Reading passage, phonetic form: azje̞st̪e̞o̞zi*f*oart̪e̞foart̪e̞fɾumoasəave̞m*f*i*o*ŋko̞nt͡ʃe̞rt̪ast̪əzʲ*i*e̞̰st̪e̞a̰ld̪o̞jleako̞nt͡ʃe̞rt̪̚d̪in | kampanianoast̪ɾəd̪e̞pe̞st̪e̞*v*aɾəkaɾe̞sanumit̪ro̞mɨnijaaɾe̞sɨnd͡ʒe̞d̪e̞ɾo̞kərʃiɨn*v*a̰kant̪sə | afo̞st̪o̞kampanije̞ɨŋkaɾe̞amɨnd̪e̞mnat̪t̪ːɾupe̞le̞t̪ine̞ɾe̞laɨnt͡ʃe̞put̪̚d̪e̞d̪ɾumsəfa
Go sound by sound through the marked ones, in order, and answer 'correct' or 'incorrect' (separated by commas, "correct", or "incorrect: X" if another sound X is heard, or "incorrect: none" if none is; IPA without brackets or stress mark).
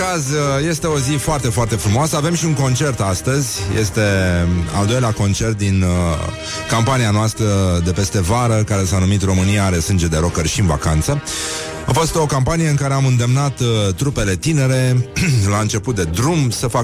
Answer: correct, incorrect: ʃ, incorrect: u, incorrect: j, correct, correct